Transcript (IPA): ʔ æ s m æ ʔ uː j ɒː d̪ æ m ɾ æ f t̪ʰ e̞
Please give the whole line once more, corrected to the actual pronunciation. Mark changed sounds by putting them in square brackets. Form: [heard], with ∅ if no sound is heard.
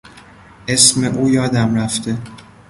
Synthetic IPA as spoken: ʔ [e] s m [e] ʔ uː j ɒː d̪ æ m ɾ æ f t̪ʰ e̞